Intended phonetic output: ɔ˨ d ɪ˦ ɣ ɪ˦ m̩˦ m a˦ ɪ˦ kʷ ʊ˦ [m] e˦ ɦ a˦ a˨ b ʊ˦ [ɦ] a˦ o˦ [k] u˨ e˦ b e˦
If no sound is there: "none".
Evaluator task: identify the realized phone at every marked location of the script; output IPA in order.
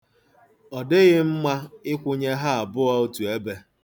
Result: ɲ, none, t

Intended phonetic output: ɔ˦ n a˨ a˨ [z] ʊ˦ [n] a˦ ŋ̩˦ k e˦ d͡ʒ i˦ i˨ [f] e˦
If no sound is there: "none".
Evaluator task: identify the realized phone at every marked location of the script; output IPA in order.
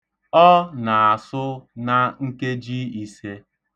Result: s, n, s

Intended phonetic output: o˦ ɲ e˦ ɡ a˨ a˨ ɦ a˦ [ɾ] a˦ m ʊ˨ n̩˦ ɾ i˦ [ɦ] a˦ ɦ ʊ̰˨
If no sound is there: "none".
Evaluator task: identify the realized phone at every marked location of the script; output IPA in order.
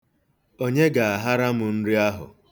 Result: ɾ, none

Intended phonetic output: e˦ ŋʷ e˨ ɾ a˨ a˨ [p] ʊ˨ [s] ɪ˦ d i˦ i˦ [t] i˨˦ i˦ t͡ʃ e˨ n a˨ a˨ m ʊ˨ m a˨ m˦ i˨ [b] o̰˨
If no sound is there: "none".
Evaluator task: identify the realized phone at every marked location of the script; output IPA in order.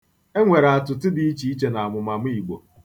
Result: t, t, t͡ʃ, ɡ͡b

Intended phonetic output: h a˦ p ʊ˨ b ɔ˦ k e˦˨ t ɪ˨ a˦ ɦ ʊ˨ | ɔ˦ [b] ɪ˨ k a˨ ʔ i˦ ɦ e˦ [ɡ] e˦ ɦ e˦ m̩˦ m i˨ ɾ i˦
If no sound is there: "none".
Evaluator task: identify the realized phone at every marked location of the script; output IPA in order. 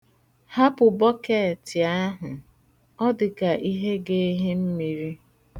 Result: d, ɡ

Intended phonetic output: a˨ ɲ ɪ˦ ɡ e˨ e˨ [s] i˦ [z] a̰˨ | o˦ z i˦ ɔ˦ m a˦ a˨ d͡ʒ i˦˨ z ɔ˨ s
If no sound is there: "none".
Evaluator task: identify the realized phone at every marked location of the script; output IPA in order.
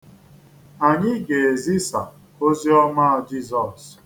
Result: z, s

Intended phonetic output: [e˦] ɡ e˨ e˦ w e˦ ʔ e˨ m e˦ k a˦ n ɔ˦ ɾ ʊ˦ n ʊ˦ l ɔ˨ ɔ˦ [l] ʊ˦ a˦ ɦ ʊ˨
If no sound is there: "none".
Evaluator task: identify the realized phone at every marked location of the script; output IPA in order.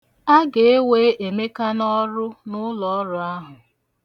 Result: a˦, ɾ

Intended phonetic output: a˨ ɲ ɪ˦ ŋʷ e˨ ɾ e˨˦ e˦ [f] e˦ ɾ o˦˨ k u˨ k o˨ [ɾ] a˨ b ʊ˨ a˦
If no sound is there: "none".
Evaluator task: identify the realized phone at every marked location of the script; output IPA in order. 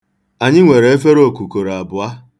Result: f, ɾ

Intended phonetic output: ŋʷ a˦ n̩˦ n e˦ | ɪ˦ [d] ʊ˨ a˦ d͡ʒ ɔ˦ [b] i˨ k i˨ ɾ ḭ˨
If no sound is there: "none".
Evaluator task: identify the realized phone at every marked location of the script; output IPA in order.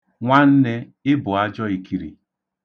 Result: b, none

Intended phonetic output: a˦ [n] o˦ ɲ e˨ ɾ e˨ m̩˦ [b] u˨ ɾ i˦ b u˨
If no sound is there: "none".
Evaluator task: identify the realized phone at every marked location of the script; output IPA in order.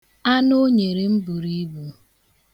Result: n, b

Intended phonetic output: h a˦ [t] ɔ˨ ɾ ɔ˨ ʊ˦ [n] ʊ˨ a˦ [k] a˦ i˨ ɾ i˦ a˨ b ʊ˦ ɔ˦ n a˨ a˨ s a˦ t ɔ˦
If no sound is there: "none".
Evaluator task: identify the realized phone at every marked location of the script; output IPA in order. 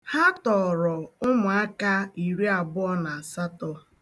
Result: t, m, k

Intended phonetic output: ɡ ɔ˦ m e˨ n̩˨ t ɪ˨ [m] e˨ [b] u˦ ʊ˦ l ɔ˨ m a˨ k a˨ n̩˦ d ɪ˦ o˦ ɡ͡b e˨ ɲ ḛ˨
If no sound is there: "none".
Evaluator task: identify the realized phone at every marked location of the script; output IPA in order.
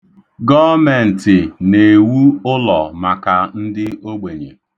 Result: n, w

